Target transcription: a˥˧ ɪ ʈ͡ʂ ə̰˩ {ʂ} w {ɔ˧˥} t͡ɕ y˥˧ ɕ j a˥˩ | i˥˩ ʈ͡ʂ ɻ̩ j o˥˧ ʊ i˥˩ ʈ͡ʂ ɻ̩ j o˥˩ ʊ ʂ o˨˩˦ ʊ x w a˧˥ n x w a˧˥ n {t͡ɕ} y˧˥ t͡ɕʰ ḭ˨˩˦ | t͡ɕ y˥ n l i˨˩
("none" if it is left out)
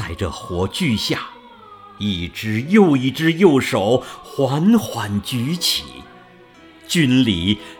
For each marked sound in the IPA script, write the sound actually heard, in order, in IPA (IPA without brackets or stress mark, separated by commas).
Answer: x, ɔ˧˥, t͡ɕ